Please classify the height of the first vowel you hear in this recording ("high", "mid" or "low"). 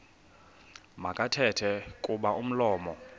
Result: low